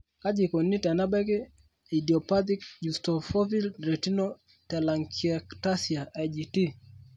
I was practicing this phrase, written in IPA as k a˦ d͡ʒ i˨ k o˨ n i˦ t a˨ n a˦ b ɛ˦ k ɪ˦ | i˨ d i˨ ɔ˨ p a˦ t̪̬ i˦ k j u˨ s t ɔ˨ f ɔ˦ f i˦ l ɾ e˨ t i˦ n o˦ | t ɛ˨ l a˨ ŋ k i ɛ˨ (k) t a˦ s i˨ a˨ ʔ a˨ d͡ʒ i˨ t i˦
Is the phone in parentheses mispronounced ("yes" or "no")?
no